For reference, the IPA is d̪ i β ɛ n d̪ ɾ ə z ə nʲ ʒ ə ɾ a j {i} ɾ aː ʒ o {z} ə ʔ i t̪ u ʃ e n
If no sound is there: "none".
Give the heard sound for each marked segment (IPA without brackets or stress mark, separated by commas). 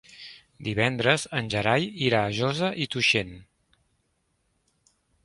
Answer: i, z